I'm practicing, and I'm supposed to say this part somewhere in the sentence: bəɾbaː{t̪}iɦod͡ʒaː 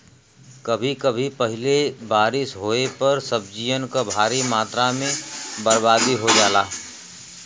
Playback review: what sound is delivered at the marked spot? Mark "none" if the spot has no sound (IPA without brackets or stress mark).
d̪